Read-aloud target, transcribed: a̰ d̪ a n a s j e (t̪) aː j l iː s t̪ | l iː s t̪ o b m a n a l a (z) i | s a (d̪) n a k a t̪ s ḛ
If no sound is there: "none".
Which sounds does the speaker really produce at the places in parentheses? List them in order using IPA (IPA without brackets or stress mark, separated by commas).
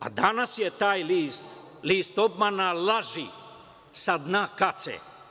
t̪, ʒ, d̪